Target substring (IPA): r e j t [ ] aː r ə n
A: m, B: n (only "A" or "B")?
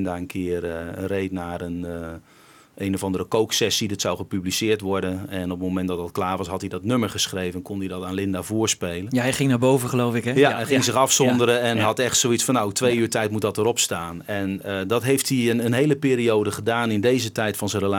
B